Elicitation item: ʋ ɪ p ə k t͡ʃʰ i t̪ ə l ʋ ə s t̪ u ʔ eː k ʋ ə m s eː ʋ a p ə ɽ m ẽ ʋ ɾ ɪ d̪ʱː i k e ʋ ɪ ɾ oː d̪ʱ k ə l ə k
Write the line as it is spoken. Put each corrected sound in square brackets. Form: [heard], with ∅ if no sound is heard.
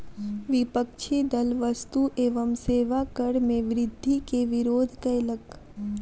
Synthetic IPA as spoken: ʋ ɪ p ə k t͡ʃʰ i [d̪] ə l ʋ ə s t̪ u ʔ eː [∅] ʋ ə m s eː ʋ a [k] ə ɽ m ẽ ʋ ɾ ɪ d̪ʱː i k e ʋ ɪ ɾ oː d̪ʱ k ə l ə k

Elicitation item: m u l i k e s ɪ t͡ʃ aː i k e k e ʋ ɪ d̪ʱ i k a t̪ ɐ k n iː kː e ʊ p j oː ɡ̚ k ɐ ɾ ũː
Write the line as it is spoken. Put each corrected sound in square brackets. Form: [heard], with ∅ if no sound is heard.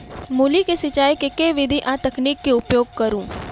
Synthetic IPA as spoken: m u l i k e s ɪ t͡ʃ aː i k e k e ʋ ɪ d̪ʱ i [ʔ] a t̪ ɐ k n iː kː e ʊ p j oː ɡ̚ k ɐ ɾ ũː

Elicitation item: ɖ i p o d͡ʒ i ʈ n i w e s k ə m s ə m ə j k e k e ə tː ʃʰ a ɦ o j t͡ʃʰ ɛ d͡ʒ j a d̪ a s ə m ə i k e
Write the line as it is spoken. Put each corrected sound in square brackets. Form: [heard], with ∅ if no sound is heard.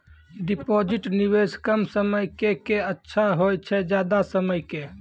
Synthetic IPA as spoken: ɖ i p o d͡ʒ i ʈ n i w e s k ə m s ə m ə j k e k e ə tː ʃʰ a ɦ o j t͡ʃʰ ɛ d͡ʒ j a d̪ a s ə m ə [j] k e

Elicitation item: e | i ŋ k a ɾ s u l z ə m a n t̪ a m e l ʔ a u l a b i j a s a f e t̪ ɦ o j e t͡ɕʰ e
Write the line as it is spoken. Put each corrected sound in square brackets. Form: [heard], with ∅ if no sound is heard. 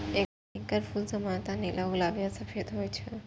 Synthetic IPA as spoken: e | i ŋ k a ɾ [f] u l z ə m a n t̪ a [n] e l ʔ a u l a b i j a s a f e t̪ ɦ o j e t͡ɕʰ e

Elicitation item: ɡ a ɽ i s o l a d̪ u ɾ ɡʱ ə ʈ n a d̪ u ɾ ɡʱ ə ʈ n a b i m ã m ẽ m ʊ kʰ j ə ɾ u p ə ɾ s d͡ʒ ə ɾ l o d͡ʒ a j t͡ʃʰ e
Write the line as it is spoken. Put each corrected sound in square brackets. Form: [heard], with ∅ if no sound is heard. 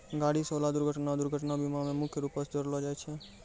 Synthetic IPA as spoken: ɡ a ɽ i s o l a d̪ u ɾ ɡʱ ə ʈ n a d̪ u ɾ ɡʱ ə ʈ n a b i m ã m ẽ m ʊ kʰ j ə ɾ u p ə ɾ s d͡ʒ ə ɾ l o d͡ʒ a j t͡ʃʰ e

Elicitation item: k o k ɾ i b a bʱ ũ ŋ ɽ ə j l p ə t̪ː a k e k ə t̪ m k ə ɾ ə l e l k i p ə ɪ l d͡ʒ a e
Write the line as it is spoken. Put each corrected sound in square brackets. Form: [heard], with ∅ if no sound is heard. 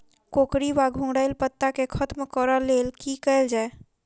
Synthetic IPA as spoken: k o k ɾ i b a [ɡʱ] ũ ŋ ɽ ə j l p ə t̪ː a k e [kʰ] ə t̪ m k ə ɾ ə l e l k i [k] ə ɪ l d͡ʒ a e

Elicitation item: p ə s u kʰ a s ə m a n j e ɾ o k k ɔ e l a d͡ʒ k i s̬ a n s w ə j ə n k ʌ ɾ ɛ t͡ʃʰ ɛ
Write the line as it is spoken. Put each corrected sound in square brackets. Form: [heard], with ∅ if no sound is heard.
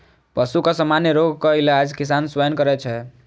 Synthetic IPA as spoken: p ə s u [k] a s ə m a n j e ɾ o [ɡ] k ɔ [i] l a d͡ʒ k i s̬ a n s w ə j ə n k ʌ ɾ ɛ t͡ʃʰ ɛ

